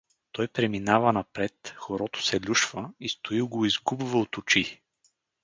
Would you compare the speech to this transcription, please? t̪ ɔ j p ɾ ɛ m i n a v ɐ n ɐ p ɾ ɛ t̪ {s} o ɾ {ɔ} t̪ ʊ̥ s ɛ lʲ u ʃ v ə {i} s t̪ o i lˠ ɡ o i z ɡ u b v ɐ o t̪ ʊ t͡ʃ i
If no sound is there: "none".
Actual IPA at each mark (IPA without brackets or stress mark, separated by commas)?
x, ɔ, i